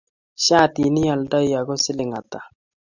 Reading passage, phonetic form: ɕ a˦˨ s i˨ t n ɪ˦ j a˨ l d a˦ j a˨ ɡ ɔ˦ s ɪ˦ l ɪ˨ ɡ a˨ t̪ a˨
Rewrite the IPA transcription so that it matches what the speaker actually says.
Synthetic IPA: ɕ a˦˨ t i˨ n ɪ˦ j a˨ l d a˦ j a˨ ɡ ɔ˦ s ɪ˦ l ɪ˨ ŋ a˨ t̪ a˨